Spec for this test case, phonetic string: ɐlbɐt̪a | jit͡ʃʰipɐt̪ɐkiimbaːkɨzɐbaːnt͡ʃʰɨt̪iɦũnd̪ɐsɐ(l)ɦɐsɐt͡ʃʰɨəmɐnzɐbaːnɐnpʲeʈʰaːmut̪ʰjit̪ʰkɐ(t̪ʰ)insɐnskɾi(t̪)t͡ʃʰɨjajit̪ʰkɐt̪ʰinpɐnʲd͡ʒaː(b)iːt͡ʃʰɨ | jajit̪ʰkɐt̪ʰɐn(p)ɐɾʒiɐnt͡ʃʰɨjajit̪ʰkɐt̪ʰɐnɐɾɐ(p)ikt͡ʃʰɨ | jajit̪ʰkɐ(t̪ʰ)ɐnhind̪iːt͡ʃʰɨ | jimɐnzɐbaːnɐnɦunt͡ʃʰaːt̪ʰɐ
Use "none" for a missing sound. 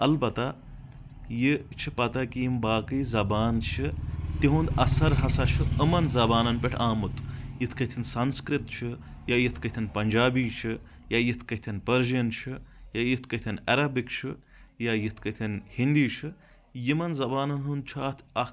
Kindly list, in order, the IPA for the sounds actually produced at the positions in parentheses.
ɾ, t̪ʰ, t̪, b, p, b, t̪ʰ

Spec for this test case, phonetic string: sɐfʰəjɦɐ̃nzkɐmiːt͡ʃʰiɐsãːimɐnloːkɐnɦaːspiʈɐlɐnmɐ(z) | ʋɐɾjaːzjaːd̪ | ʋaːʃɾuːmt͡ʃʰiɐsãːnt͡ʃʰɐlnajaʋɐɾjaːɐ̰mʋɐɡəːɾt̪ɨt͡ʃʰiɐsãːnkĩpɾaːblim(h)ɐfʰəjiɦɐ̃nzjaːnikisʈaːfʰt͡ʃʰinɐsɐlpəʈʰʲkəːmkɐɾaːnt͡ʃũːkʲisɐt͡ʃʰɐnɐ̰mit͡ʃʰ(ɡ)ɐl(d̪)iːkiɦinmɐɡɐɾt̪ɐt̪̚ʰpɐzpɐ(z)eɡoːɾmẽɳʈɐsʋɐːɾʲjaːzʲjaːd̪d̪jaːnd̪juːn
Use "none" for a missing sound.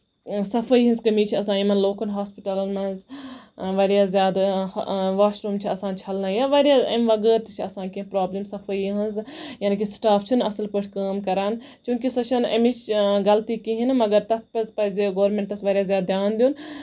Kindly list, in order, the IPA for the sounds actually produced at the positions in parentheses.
z, s, ɡ, t̪, z

